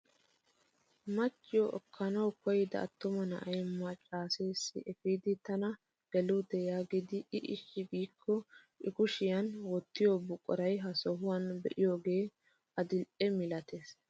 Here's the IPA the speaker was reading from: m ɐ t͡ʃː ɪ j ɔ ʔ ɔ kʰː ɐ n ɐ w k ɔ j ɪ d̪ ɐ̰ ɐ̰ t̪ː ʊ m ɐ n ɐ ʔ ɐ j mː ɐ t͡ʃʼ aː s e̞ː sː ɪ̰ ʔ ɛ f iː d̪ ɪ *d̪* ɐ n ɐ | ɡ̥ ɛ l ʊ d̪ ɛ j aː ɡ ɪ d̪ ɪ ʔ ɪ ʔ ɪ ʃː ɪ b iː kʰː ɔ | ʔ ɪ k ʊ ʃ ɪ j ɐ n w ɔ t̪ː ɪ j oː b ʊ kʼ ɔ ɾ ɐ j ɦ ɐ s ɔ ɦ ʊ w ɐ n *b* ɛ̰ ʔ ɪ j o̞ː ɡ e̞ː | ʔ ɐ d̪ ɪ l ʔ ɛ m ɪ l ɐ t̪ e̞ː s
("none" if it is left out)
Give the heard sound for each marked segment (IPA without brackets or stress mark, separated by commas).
t̪, b